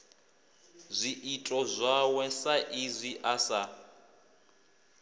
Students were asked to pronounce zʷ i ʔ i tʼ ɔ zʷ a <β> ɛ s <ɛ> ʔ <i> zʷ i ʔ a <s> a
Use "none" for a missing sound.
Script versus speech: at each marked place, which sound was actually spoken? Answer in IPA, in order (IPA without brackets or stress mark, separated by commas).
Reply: w, a, i, s